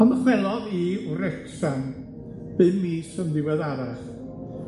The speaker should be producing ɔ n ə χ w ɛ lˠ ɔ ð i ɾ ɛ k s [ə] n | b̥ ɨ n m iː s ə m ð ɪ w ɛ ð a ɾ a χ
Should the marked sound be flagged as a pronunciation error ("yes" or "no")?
yes